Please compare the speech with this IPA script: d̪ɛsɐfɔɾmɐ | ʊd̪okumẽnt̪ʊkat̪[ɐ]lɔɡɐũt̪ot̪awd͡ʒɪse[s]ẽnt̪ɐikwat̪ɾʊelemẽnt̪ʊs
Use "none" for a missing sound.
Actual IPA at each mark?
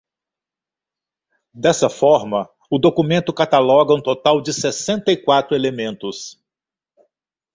a, s

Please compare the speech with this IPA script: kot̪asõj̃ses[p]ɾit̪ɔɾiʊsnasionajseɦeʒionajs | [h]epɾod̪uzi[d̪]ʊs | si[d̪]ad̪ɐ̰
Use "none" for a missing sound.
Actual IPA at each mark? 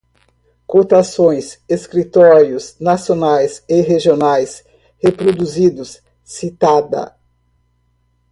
k, h, d̪, t̪

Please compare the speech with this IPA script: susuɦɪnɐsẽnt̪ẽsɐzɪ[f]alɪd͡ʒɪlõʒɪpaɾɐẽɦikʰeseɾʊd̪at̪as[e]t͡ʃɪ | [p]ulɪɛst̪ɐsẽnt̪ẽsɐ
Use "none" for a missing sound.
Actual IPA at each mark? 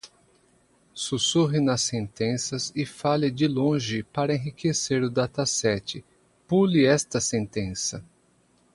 f, ɛ, p

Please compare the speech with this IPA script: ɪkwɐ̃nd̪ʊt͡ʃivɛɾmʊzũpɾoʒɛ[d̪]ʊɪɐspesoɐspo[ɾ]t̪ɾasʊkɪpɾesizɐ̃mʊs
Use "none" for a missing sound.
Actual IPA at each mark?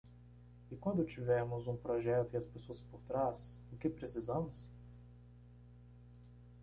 t̪, ɾ

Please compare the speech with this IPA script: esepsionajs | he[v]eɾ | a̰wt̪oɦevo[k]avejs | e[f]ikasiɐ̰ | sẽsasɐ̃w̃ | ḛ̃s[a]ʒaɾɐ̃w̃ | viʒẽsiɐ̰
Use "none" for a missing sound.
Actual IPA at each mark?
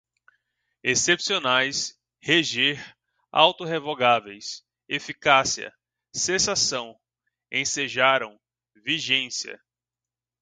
ʒ, ɡ, f, e

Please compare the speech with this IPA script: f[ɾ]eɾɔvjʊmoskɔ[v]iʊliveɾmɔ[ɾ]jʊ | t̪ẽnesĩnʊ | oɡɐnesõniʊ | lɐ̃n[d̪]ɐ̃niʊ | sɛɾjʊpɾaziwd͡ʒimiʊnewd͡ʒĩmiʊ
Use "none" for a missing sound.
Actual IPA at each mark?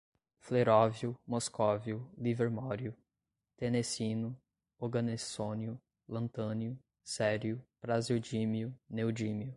l, v, ɾ, t̪

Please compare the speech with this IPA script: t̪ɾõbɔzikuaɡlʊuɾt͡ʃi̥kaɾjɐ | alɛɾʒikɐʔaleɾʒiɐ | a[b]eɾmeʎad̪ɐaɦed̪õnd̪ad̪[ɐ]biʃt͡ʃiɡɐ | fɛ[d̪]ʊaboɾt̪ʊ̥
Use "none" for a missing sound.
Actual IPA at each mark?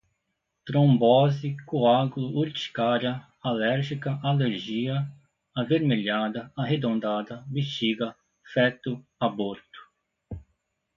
v, ɐ, t̪

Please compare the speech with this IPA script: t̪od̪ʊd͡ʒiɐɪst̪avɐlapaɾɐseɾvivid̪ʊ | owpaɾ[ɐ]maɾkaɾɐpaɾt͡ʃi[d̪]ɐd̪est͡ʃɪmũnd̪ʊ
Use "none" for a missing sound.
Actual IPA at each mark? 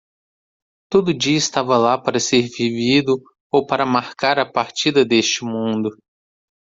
ɐ, d̪

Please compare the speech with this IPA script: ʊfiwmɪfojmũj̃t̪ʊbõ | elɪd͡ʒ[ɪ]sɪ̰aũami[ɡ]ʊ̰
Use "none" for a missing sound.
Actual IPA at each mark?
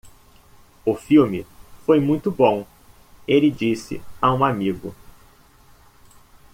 i, ɡ

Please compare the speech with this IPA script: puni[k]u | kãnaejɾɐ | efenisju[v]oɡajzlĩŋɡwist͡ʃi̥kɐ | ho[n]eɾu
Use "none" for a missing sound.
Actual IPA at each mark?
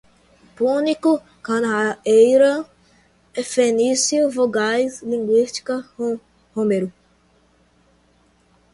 k, v, m

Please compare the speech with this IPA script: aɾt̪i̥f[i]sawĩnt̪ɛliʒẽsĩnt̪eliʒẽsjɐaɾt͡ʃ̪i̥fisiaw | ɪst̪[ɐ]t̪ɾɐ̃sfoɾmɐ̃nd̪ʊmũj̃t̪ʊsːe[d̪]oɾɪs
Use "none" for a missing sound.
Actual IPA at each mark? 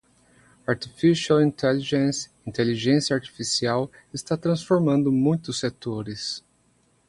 i, a, t̪

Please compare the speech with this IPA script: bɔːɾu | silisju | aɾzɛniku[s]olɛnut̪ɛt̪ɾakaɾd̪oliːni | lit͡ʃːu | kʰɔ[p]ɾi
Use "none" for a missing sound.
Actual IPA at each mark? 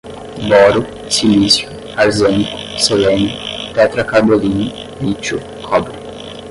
s, b

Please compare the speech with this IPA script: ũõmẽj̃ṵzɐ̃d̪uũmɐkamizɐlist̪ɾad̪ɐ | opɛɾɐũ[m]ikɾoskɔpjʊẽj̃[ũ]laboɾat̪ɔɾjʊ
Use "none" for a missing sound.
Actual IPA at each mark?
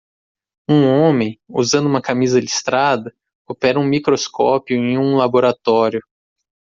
m, ũ

